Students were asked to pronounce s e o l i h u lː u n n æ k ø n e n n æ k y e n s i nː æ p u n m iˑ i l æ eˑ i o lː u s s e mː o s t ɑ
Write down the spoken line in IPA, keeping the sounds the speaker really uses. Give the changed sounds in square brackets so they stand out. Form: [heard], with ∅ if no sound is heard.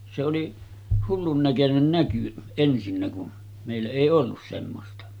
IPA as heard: s e o l i h u lː u n n æ k ø n e n n æ k y e n s i nː æ [k] u n m [eˑ] i [lː] æ eˑ i o lː u s s e mː o s t ɑ